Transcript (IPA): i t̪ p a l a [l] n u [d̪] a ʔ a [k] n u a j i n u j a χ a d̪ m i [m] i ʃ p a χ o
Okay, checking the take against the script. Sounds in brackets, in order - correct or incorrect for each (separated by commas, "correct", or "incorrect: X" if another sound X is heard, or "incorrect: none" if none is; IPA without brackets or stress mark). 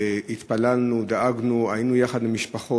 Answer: correct, correct, incorrect: ɡ, correct